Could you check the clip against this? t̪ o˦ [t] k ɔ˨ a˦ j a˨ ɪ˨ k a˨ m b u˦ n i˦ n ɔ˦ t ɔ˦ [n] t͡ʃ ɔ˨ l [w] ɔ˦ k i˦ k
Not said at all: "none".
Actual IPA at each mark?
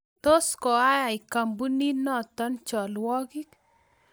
s, n, w

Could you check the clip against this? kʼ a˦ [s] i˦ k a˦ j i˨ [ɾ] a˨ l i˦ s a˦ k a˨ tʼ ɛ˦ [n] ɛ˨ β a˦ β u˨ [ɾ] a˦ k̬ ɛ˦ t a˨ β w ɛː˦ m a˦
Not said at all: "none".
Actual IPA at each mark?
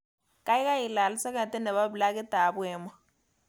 none, l, n, l

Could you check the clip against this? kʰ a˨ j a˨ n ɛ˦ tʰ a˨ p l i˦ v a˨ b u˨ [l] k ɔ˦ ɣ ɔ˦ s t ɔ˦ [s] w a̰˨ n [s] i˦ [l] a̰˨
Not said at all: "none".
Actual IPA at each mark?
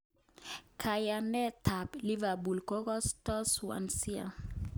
l, s, s, none

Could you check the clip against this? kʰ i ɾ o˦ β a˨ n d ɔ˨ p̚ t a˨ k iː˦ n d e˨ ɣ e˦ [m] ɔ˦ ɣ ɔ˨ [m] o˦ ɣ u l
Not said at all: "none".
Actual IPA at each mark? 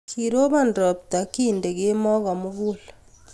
m, m

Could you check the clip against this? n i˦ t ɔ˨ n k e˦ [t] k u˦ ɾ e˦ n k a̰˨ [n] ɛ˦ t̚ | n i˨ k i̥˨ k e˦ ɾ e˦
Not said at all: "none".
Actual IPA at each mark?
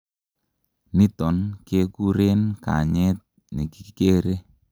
none, ɲ

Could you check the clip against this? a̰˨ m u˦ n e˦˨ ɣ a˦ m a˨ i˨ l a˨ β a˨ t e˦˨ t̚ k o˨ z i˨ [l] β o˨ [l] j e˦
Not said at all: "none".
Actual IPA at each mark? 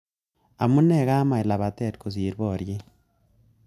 ɾ, ɾ

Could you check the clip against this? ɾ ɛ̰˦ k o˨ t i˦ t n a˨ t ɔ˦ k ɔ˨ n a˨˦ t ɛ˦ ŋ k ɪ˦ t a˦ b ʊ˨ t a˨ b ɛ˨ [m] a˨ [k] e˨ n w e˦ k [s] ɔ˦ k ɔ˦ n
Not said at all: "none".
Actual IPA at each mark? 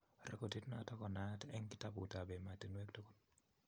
m, t, t

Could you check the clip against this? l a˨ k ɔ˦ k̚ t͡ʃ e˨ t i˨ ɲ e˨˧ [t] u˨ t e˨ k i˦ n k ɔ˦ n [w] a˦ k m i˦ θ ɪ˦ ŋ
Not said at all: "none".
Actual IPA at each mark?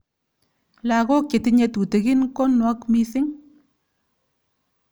t, w

